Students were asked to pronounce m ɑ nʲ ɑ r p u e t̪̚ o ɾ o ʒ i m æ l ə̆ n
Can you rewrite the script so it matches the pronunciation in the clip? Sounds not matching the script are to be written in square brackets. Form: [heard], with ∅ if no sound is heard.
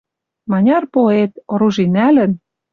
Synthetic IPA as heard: m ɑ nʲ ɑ r p [o] e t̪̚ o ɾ [u] ʒ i [n] æ l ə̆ n